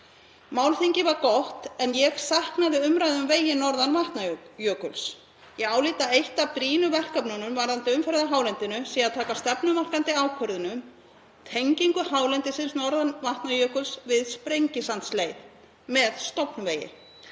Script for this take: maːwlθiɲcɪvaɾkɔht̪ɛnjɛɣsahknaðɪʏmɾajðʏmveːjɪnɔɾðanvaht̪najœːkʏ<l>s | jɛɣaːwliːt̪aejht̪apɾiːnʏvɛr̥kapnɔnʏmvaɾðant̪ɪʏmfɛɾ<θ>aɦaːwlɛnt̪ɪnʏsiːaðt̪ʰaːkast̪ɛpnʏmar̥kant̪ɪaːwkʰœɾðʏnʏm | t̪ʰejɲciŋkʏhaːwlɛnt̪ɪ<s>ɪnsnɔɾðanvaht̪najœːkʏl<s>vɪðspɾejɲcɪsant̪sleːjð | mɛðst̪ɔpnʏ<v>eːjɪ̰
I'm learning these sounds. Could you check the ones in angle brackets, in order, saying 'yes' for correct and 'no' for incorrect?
yes, no, yes, yes, yes

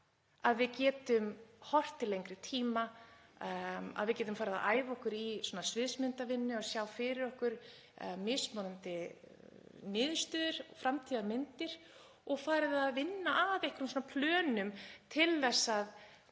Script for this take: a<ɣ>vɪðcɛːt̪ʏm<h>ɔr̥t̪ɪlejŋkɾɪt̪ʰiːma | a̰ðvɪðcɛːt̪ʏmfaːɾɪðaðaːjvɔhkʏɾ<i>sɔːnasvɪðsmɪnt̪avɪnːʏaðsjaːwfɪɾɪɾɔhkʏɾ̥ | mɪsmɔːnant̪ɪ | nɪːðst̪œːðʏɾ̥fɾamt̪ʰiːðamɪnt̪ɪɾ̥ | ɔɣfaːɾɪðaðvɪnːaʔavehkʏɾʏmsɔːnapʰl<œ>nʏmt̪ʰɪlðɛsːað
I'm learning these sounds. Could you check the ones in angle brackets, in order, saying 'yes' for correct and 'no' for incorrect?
no, yes, yes, no

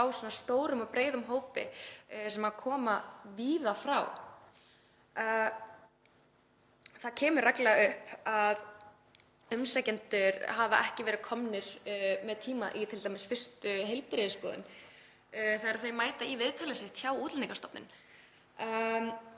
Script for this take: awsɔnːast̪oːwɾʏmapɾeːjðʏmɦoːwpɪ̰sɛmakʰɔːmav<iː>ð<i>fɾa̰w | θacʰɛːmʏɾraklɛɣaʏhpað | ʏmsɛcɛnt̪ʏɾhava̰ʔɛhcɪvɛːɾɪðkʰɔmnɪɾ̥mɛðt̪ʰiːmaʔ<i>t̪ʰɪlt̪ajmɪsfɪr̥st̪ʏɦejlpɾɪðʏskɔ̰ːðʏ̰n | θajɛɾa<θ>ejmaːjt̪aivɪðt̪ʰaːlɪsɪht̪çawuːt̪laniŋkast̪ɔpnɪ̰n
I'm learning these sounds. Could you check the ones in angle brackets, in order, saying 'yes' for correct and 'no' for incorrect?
yes, no, yes, yes

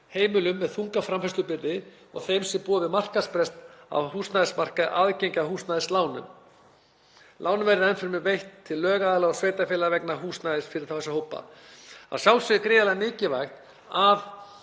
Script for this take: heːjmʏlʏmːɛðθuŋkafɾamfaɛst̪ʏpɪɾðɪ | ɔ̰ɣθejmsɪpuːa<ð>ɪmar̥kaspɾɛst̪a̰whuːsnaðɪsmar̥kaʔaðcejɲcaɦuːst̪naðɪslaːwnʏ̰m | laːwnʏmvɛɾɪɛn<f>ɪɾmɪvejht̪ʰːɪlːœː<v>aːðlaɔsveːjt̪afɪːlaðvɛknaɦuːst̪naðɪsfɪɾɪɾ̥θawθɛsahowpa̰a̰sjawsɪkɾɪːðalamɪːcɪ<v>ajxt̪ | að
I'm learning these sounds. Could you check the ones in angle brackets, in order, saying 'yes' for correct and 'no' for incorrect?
no, yes, no, yes

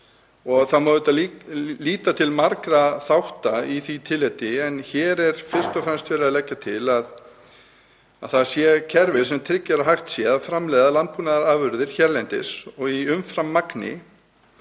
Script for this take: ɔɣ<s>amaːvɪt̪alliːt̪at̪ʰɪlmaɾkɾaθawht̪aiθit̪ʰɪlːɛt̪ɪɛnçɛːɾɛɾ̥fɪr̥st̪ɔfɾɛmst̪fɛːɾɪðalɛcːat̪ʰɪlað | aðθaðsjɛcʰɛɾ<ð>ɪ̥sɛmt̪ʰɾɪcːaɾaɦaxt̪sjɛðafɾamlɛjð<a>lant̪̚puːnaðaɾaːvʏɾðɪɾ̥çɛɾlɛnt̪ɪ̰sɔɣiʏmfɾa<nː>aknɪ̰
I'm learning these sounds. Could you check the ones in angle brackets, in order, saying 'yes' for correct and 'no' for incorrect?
no, no, yes, no

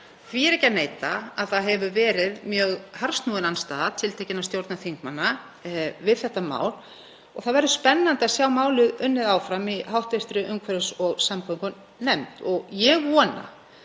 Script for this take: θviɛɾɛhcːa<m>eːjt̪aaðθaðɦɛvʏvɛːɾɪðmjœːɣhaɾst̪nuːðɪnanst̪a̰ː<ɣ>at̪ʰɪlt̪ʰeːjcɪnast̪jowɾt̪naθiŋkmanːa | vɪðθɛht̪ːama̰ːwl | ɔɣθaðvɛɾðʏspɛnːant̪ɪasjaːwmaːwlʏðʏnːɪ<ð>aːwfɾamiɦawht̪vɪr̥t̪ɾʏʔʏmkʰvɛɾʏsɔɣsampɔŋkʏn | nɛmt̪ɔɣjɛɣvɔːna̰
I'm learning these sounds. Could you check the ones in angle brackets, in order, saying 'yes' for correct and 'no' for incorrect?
no, no, yes

